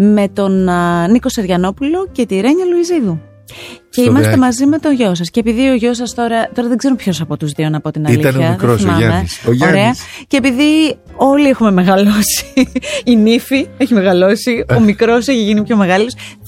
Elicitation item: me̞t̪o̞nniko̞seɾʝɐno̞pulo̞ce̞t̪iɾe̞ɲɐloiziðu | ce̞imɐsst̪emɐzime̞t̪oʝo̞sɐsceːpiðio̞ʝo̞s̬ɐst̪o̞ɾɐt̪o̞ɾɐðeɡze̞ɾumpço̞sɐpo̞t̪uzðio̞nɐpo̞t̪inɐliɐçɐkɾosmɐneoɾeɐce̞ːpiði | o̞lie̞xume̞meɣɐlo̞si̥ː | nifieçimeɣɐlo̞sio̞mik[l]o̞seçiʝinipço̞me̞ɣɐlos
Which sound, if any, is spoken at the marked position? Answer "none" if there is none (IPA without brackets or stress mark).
ɾ